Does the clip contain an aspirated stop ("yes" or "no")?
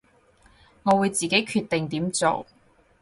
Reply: yes